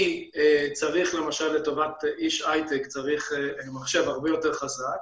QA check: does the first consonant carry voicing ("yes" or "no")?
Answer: no